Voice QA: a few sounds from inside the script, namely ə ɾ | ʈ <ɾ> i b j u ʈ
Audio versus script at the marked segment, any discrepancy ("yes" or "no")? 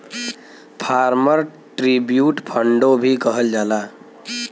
no